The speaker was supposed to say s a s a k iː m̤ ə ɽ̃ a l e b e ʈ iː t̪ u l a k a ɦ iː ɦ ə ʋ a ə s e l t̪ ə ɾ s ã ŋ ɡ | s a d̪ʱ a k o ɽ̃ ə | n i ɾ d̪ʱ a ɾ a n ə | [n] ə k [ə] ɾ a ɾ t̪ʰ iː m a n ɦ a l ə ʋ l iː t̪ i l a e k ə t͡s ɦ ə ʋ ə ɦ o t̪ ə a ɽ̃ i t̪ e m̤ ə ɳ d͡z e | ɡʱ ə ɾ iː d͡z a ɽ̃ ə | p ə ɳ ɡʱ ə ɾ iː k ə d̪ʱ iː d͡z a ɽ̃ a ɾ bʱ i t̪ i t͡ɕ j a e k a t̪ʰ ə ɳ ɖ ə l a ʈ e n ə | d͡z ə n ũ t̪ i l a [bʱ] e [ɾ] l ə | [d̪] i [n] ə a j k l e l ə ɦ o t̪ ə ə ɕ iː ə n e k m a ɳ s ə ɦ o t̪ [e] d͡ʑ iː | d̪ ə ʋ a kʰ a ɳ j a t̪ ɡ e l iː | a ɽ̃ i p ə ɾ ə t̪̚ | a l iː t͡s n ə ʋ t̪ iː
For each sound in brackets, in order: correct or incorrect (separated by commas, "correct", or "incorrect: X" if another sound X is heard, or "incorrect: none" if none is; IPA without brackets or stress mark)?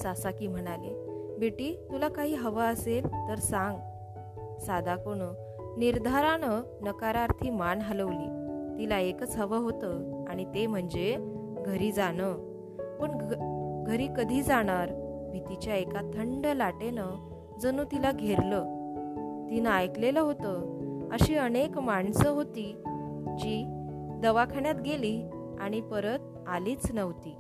correct, incorrect: a, incorrect: ɡʱ, correct, incorrect: t̪, correct, incorrect: i